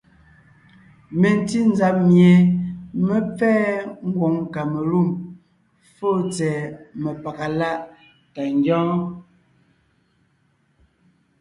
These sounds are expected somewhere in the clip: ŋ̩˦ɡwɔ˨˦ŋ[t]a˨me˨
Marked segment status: incorrect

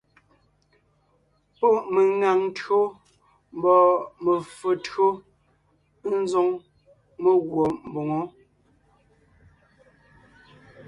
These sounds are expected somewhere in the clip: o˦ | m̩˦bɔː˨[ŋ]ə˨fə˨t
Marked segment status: incorrect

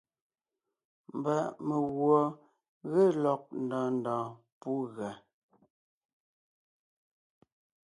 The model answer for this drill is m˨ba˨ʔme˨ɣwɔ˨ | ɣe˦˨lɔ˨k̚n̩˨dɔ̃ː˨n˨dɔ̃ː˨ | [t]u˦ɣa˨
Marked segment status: incorrect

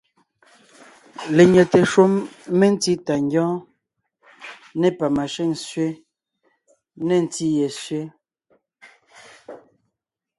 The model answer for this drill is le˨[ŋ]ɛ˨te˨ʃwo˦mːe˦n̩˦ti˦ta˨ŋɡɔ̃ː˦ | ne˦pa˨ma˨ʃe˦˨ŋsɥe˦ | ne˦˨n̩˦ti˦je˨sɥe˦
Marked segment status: incorrect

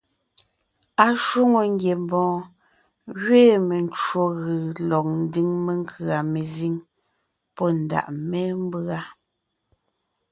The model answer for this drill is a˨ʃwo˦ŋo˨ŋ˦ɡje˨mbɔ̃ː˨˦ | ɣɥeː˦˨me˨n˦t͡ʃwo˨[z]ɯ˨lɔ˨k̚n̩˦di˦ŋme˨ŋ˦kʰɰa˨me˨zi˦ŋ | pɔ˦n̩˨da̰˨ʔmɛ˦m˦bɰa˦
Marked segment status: incorrect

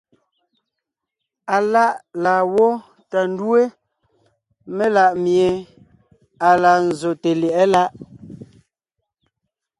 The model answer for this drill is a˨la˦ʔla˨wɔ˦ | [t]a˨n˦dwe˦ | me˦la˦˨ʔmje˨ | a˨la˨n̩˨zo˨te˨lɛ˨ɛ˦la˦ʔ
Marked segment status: correct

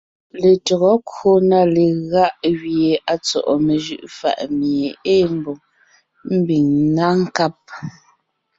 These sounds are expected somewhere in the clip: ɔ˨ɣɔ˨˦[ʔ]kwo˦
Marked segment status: incorrect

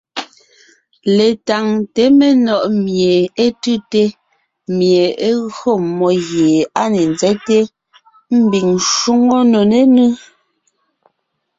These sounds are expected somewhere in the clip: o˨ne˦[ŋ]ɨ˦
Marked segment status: incorrect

